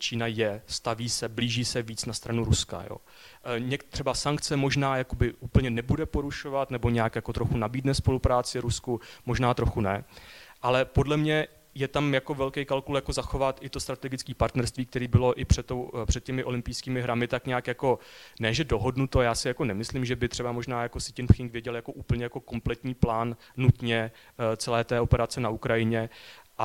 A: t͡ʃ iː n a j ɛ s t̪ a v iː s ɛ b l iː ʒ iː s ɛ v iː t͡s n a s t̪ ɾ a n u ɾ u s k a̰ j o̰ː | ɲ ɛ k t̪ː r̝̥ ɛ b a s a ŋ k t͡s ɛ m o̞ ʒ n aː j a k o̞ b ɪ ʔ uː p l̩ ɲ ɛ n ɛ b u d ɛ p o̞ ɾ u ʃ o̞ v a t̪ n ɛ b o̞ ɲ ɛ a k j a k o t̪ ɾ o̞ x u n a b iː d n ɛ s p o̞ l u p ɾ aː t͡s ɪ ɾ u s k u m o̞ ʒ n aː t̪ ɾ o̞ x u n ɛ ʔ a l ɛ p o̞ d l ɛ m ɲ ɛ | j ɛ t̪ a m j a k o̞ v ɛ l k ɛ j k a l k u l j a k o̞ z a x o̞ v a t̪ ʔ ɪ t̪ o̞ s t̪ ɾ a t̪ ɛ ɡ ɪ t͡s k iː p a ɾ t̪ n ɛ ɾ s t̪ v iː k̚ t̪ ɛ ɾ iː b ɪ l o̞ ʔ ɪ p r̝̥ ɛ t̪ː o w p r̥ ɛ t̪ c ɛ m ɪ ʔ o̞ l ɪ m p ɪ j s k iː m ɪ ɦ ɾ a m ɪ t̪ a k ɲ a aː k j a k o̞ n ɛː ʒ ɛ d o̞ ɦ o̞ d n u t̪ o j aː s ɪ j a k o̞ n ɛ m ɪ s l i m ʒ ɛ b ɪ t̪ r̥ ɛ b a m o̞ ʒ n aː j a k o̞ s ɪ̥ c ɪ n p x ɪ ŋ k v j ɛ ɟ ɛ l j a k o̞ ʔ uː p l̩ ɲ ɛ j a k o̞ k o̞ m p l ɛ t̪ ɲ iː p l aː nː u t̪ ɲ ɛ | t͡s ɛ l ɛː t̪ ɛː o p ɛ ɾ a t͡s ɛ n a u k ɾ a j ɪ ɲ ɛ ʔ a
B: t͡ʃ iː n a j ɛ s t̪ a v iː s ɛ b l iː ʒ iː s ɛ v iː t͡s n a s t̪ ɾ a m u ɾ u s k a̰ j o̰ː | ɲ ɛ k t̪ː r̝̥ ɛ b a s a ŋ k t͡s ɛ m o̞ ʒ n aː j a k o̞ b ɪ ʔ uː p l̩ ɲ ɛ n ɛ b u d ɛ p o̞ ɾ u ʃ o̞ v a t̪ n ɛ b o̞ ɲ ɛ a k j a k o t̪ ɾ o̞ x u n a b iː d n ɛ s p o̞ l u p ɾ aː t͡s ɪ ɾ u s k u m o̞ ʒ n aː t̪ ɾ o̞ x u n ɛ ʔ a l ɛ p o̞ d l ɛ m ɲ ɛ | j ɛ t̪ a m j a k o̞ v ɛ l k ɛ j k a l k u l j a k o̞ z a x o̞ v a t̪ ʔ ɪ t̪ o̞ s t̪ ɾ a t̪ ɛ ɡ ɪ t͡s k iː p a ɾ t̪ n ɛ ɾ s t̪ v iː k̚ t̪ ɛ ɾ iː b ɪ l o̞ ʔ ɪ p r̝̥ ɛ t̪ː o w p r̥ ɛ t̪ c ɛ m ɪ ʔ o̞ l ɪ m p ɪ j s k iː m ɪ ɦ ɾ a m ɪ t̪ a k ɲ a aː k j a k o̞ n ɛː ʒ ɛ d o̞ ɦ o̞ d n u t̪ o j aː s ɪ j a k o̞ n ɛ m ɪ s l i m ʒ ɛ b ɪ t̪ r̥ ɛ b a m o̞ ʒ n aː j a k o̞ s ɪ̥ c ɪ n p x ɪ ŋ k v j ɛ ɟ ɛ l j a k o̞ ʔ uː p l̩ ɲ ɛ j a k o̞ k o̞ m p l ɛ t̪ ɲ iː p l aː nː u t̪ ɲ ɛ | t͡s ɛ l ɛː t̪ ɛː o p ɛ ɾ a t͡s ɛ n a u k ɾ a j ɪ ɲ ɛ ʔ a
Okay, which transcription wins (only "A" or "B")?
A